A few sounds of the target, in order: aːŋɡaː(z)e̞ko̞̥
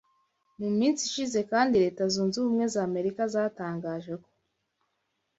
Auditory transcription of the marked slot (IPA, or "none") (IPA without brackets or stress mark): ʒ